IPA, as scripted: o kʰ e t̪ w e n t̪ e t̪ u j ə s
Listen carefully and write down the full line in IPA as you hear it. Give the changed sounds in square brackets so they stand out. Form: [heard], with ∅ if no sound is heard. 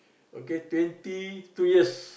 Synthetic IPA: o [k] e t̪ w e n t̪ [i] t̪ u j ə s